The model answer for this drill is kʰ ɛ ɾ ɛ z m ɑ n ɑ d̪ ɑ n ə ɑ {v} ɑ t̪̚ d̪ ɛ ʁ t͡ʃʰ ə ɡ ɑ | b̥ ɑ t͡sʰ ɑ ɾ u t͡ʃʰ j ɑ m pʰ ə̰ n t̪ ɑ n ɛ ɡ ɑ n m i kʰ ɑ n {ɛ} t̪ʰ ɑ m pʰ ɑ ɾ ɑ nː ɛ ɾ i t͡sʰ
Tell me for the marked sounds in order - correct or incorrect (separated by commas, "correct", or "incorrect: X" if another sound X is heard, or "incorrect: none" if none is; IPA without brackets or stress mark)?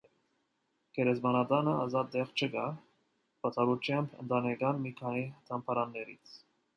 incorrect: z, incorrect: i